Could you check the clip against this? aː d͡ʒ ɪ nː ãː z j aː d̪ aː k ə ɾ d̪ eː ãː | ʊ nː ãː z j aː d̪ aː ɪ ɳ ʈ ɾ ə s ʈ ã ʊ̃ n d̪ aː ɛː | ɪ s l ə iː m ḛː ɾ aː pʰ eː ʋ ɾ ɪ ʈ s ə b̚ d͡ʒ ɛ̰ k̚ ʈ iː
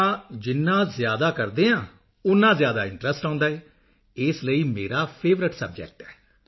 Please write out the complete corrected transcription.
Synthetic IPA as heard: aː d͡ʒ ɪ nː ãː z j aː d̪ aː k ə ɾ d̪ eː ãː | ʊ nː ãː z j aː d̪ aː ɪ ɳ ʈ ɾ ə s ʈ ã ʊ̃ n d̪ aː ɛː | ɪ s l ə iː m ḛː ɾ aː pʰ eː ʋ ɾ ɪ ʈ s ə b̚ d͡ʒ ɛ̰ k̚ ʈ ɛː